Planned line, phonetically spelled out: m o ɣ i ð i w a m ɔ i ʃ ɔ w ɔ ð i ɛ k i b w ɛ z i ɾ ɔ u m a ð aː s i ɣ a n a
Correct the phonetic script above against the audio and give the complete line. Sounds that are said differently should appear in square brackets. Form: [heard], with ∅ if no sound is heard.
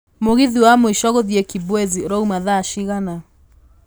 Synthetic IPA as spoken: m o ɣ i ð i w a m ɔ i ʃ ɔ [ɣ] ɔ ð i ɛ k i b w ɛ z i ɾ ɔ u m a ð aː [ʃ] i ɣ a n a